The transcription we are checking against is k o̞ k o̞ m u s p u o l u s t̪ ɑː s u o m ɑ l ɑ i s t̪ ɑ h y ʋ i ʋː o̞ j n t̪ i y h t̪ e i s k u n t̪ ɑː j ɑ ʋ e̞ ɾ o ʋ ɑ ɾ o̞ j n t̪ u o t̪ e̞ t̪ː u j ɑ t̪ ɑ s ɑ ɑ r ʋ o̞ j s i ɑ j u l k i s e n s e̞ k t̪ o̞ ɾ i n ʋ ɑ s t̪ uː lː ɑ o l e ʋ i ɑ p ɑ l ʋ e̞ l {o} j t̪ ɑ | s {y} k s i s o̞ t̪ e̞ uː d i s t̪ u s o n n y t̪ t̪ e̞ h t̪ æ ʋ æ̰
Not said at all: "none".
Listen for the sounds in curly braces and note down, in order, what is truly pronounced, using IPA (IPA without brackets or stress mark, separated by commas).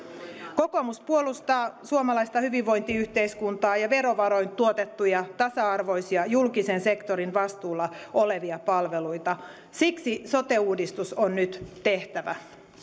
u, i